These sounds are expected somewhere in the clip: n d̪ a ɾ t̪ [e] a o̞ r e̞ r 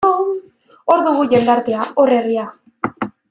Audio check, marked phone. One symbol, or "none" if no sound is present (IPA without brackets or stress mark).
e